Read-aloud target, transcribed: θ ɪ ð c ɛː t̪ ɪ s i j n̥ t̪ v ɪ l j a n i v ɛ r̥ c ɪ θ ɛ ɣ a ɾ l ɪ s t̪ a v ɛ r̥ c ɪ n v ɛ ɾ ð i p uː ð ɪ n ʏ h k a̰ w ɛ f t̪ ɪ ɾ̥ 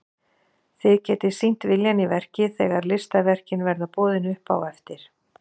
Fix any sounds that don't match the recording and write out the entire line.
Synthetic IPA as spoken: θ ɪ ð c ɛː t̪ ɪ s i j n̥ t̪ v ɪ l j a n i v ɛ r̥ c ɪ θ ɛ ɣ a ɾ l ɪ s t̪ a v ɛ r̥ c ɪ n v ɛ ɾ ð a p ɔː ð ɪ n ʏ h p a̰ w ɛ f t̪ ɪ ɾ̥

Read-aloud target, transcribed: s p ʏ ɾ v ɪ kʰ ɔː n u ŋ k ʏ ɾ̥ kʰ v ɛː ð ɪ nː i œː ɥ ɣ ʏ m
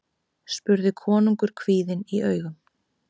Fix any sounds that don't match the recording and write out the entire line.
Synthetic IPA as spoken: s p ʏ ɾ ð ɪ kʰ ɔː n u ŋ k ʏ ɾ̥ kʰ v iː ð ɪ n i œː ɥ ɣ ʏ m

